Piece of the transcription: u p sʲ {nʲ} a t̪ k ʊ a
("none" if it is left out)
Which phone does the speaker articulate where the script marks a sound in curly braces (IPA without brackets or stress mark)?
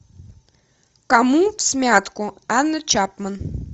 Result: mʲ